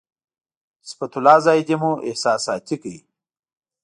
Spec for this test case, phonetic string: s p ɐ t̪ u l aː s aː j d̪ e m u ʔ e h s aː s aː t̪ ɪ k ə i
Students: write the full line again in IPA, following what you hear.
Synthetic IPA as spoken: s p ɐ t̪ u l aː z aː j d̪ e m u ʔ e h s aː s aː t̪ i k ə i